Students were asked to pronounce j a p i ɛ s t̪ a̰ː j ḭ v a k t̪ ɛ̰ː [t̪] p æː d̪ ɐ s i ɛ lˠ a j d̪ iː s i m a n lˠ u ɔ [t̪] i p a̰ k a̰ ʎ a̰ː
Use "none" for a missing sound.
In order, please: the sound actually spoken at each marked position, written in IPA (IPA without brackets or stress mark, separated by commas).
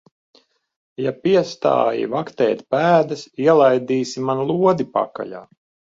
t̪, d̪